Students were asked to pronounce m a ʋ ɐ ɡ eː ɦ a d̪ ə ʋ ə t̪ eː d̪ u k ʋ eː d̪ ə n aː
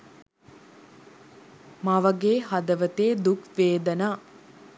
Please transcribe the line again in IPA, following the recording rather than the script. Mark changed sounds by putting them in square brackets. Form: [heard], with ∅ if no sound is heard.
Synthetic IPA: m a ʋ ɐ ɡ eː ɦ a d̪ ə ʋ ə t̪ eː d̪ u k ʋ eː d̪ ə n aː